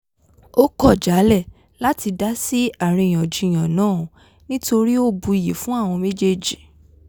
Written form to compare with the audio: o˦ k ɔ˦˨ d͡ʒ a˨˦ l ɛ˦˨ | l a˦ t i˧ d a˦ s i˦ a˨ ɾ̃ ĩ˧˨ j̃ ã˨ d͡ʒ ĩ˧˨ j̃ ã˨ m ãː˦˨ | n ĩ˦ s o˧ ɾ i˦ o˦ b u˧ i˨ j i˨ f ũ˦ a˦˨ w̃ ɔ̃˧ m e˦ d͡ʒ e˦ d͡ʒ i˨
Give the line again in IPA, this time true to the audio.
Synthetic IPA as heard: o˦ k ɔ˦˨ d͡ʒ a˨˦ l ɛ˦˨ | l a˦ t i˧ d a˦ s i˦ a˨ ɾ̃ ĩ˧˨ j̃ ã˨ d͡ʒ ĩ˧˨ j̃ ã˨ n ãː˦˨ | n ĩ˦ t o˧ ɾ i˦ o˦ b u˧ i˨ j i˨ f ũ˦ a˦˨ w̃ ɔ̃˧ m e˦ d͡ʒ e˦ d͡ʒ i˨